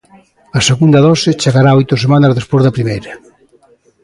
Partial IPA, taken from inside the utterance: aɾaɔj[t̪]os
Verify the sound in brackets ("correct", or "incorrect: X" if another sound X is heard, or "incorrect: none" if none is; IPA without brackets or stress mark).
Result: correct